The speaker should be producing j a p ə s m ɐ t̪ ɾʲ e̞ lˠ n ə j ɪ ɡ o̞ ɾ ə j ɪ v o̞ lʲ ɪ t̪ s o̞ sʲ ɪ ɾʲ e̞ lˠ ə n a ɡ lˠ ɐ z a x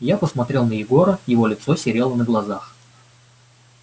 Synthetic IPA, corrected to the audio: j a p ə s m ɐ t̪ ɾʲ e̞ lˠ n ə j ɪ ɡ o̞ ɾ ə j ɪ v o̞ lʲ ɪ t̪ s o̞ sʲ ɪ ɾʲ e̞ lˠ ə n ə ɡ lˠ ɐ z a x